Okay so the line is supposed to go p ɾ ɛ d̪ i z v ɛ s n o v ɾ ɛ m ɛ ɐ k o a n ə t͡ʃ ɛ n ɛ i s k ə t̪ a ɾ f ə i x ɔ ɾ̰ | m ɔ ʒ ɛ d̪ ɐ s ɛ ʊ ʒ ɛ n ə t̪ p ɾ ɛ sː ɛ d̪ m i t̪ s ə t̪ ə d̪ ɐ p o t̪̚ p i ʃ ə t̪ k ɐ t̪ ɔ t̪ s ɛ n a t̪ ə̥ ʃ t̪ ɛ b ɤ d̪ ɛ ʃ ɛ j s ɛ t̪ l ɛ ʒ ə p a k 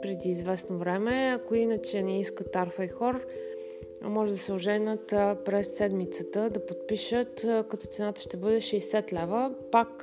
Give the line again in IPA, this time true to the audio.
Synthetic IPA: p ɾ ɛ d̪ iː z v ɛ s n o v ɾ ɛ m ɛ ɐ k o i n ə t͡ʃ ɛ n ɛ i s k ə t̪ a ɾ f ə i x ɔ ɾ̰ | m ɔ ʒ ɛ d̪ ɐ s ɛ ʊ ʒ ɛ n ə t̪ p ɾ ɛ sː ɛ d̪ m i t̪ s ə t̪ ə d̪ ɐ p o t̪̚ p i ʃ ə t̪ k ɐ t̪ ɔ t̪ s ɛ n a t̪ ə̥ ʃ t̪ ɛ b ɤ d̪ ɛ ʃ ɛ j s ɛ t̪ l ɛ v ə p a k